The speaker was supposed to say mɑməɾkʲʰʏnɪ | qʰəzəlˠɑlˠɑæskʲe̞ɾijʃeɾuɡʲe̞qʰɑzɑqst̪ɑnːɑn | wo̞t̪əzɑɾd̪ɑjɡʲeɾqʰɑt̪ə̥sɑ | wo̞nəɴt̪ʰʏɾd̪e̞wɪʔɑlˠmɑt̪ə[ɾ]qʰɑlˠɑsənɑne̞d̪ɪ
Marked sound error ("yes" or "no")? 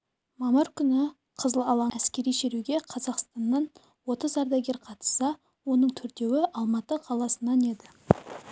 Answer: yes